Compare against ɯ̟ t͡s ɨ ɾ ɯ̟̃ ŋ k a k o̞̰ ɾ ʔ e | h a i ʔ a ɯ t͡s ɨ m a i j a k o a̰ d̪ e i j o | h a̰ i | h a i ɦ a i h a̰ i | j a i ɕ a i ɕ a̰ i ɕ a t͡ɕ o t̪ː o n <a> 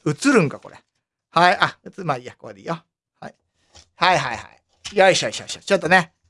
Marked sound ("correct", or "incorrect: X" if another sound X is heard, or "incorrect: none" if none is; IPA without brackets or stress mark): incorrect: e